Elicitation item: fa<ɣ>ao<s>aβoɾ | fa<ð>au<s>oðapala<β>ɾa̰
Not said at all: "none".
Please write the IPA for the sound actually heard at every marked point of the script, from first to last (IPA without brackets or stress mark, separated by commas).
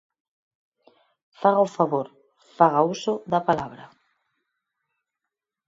ɣ, f, ɣ, s, β